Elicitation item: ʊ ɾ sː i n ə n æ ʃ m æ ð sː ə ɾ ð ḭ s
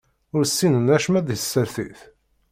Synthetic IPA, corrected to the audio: ʊ ɾ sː i n ə n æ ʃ m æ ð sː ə ɾ θ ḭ θ